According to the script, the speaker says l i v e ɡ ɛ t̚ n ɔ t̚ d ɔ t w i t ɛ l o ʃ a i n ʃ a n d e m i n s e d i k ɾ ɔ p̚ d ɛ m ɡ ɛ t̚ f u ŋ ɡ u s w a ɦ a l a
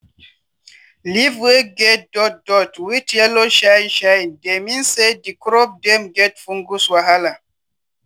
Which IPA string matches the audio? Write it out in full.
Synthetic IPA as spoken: l i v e ɡ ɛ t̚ d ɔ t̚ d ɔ t w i t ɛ l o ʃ a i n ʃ a n d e m i n s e d i k ɾ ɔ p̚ d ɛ m ɡ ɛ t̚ f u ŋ ɡ u s w a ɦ a l a